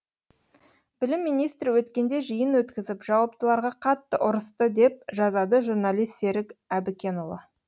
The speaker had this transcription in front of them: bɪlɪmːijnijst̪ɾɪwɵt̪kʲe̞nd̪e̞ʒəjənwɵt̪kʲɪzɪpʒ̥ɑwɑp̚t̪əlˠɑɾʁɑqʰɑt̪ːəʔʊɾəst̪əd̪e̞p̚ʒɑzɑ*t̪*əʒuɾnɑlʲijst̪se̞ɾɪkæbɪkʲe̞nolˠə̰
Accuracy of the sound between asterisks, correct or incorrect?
incorrect: d̪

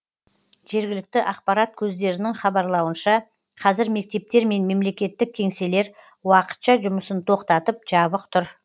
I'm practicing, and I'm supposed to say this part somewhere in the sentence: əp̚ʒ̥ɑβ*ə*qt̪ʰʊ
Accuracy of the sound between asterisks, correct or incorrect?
correct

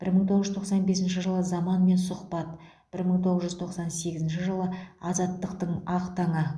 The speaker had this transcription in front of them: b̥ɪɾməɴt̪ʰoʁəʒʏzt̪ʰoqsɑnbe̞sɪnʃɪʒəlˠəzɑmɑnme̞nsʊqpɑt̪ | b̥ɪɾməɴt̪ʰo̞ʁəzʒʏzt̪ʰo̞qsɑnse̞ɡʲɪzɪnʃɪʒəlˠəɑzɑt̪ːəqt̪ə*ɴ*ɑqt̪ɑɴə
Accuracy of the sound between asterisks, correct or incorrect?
correct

